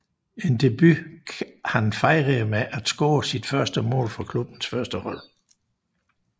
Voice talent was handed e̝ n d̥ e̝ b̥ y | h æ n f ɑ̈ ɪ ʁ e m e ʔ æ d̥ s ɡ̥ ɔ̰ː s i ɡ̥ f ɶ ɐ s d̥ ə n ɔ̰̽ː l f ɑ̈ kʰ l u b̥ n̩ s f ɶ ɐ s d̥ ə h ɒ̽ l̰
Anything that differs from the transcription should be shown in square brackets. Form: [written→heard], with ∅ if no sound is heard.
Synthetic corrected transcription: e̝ n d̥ e̝ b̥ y | h æ n f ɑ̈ ɪ ʁ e m e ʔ æ d̥ s ɡ̥ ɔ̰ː s i [ɡ̥→d̥] f ɶ ɐ s d̥ ə [n→m] ɔ̰̽ː l f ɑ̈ kʰ l u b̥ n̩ s f ɶ ɐ s d̥ ə h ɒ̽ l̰